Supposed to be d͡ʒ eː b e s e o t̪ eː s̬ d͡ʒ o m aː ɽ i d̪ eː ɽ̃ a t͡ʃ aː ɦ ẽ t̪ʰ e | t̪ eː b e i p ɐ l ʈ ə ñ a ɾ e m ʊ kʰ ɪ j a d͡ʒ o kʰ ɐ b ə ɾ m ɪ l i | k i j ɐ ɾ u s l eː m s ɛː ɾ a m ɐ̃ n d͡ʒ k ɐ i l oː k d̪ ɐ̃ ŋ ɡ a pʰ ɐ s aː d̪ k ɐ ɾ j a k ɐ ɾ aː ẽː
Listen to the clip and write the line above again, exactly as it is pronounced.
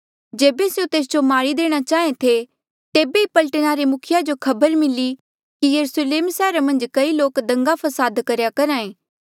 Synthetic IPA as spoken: d͡ʒ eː b e s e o t̪ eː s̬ d͡ʒ o m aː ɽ i d̪ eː ɽ̃ a t͡ʃ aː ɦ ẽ t̪ʰ e | t̪ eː b e i p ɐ l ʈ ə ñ a ɾ e m ʊ kʰ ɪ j a d͡ʒ o kʰ ɐ b ə ɾ m ɪ l i | k i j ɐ ɾ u s l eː m s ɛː ɾ a m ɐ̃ n d͡ʒ k ɐ i l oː k d̪ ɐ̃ ŋ ɡ a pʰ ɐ s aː d̪ k ɐ ɾ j a k ɐ ɾ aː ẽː

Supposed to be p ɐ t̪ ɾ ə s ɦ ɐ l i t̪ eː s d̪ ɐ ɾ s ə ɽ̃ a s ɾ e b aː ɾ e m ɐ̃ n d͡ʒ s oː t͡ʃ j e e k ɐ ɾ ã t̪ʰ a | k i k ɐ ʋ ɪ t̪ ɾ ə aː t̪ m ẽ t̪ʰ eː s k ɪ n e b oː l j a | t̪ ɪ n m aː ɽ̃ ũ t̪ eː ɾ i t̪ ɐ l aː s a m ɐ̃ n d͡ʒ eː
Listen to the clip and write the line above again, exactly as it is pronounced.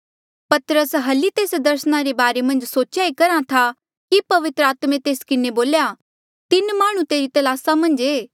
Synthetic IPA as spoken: p ɐ t̪ ɾ ə s ɦ ɐ l i t̪ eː s d̪ ɐ ɾ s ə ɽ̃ a ɾ e b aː ɾ e m ɐ̃ n d͡ʒ s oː t͡ʃ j a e k ɐ ɾ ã t̪ʰ a | k i p ɐ ʋ ɪ t̪ ɾ ə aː t̪ m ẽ t̪ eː s k ɪ n e b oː l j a | t̪ ɪ n m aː ɽ̃ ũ t̪ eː ɾ i t̪ ɐ l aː s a m ɐ̃ n d͡ʒ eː

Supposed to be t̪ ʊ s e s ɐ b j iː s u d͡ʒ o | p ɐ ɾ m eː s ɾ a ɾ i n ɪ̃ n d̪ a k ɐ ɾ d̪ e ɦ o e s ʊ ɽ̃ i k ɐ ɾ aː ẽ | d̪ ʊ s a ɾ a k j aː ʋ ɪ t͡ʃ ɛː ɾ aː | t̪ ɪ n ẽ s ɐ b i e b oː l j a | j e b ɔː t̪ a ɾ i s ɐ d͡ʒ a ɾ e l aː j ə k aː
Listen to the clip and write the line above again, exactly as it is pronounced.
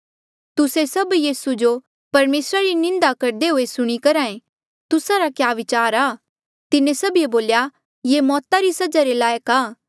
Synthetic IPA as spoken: t̪ ʊ s e s ɐ b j iː s u d͡ʒ o | p ɐ ɾ m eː s ɾ a ɾ i n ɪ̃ n d̪ a k ɐ ɾ d̪ e ɦ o e s ʊ ɽ̃ i k ɐ ɾ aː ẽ | t̪ ʊ s a ɾ a k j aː ʋ ɪ t͡ʃ aː ɾ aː | t̪ ɪ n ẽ s ɐ b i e b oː l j a | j e m ɔː t̪ a ɾ i s ɐ d͡ʒ a ɾ e l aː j ə k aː

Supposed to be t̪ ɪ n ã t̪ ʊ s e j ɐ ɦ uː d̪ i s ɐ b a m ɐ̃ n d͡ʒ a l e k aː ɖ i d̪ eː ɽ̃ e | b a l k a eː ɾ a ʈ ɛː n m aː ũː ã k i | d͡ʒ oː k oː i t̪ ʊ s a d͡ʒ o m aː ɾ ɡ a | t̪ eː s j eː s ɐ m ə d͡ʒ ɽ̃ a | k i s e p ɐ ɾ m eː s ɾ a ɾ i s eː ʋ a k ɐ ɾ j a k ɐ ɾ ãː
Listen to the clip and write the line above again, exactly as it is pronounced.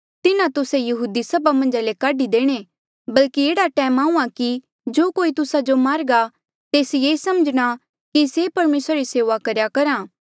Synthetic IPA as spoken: t̪ ɪ n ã t̪ ʊ s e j ɐ ɦ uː d̪ i s ɐ b a m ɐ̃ n d͡ʒ a l e k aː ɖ i d̪ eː ɽ̃ e | b ɐ l k i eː ɽ a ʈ ɛː m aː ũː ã k i | d͡ʒ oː k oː i t̪ ʊ s a d͡ʒ o m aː ɾ ɡ a | t̪ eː s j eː s ɐ m ə d͡ʒ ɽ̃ a | k i s e p ɐ ɾ m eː s ɾ a ɾ i s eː ʋ a k ɐ ɾ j a k ɐ ɾ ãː

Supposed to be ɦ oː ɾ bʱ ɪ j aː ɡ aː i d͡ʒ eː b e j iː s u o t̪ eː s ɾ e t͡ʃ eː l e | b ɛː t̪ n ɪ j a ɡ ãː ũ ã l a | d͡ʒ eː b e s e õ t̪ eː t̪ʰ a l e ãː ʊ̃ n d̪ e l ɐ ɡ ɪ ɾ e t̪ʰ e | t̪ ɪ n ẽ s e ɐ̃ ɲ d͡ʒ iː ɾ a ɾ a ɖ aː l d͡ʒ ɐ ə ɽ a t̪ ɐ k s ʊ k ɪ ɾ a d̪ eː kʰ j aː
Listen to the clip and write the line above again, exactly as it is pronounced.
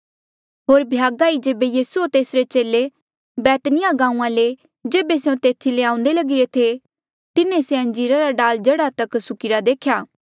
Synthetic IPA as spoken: ɦ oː ɾ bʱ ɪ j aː ɡ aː i d͡ʒ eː b e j iː s u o t̪ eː s ɾ e t͡ʃ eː l e | b ɛː t̪ n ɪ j a ɡ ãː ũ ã l e | d͡ʒ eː b e s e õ t̪ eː t̪ʰ i l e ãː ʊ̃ n d̪ e l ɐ ɡ ɪ ɾ e t̪ʰ e | t̪ ɪ n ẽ s e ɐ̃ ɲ d͡ʒ iː ɾ a ɾ a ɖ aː l d͡ʒ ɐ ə ɽ a t̪ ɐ k s ʊ k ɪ ɾ a d̪ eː kʰ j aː

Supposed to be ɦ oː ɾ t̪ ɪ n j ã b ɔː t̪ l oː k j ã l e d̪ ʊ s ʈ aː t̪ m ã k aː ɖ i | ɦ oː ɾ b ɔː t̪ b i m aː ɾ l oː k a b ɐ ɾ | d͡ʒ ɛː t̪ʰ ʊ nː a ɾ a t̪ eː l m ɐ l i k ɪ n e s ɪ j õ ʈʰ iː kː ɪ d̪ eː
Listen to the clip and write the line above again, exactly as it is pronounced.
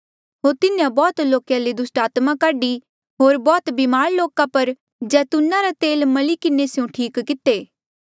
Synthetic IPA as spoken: ɦ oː ɾ t̪ ɪ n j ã b ɔː t̪ l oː k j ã l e d̪ ʊ s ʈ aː t̪ m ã k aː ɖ i | ɦ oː ɾ b ɔː t̪ b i m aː ɾ l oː k a p ɐ ɾ | d͡ʒ ɛː t̪ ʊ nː a ɾ a t̪ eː l m ɐ l i k ɪ n e s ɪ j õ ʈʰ iː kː ɪ t̪ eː

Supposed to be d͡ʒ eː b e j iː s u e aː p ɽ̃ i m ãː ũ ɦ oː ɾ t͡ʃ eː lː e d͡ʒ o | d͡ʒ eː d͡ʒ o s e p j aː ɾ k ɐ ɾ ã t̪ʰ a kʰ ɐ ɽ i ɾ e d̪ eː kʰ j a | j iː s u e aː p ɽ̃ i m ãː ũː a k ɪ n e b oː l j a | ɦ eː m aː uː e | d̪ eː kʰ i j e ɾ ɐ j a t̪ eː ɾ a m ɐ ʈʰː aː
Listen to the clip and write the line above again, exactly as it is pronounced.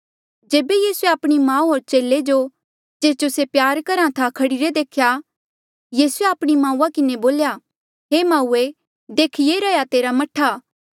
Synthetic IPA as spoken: d͡ʒ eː b e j iː s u e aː p ɽ̃ i m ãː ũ ɦ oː ɾ t͡ʃ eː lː e d͡ʒ o | d͡ʒ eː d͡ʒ o s e p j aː ɾ k ɐ ɾ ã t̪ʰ a kʰ ɐ ɽ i ɾ e d̪ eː kʰ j a | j iː s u e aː p ɽ̃ i m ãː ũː a k ɪ n e b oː l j a | ɦ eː m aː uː e | d̪ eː kʰ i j e ɾ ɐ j a t̪ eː ɾ a m ɐ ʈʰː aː

